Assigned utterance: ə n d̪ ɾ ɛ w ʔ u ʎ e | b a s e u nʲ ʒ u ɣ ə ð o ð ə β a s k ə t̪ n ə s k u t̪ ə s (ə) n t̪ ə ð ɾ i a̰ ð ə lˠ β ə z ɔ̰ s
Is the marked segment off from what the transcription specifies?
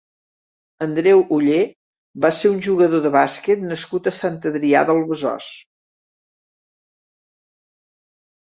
yes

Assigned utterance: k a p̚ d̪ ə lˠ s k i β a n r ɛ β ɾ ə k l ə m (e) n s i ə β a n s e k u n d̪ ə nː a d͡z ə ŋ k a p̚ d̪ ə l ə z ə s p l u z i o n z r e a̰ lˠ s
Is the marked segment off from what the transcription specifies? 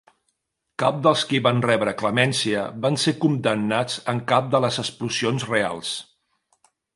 yes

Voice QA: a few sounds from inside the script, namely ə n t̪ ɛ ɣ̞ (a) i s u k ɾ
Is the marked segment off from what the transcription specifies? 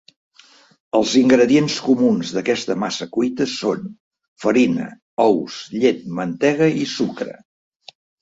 yes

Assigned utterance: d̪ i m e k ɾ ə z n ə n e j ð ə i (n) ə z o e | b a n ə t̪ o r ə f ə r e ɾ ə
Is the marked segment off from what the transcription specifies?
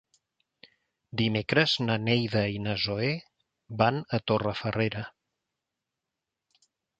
no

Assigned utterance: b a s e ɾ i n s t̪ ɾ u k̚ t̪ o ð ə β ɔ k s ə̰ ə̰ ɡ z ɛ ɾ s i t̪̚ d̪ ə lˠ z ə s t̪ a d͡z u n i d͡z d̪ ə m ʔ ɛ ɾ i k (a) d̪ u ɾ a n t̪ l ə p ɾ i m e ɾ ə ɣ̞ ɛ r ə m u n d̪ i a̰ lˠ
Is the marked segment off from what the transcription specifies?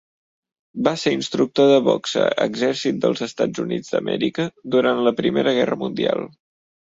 yes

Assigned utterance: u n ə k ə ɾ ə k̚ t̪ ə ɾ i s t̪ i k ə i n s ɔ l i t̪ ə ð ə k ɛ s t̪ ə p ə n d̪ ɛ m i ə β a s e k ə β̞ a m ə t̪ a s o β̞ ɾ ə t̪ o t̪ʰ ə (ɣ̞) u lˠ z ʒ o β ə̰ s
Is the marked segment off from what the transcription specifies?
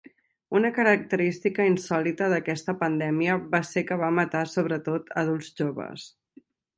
yes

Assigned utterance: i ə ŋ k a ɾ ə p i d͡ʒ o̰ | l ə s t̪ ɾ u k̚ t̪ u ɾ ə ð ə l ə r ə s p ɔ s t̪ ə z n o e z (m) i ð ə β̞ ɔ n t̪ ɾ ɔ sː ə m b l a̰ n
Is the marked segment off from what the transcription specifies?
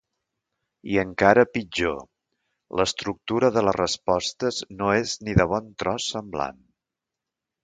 yes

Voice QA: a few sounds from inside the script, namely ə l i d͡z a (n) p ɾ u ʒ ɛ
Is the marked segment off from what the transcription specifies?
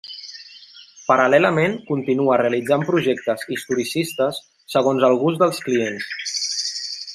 yes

